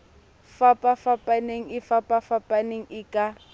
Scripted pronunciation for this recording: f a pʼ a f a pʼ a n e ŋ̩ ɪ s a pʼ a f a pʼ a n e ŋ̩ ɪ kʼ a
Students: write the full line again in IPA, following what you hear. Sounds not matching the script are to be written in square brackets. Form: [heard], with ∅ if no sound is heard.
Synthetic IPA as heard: f a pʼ a f a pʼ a n e ŋ̩ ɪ [f] a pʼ a f a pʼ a n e ŋ̩ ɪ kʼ a